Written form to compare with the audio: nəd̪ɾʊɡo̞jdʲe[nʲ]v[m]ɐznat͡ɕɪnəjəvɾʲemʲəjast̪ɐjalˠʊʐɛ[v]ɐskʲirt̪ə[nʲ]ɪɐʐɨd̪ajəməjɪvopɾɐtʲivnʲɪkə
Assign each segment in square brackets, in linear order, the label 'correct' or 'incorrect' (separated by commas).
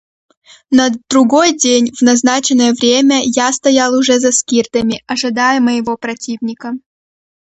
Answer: correct, incorrect, incorrect, incorrect